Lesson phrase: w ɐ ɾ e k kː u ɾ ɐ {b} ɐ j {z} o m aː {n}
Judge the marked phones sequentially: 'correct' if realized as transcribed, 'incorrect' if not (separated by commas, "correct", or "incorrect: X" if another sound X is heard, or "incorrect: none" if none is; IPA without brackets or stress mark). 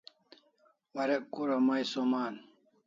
incorrect: m, incorrect: s, correct